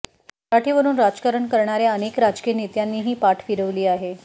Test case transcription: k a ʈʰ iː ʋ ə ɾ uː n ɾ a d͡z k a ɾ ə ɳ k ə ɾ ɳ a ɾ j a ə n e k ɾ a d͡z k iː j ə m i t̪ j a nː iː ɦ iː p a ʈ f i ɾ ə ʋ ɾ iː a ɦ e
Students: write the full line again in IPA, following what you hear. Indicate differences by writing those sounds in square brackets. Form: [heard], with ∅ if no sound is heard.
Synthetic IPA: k a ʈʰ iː ʋ ə ɾ uː n ɾ a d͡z k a ɾ ə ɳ k ə ɾ ɳ a ɾ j a ə n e k ɾ a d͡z k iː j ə [n] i t̪ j a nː iː ɦ iː p a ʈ f i ɾ ə ʋ [l] iː a ɦ e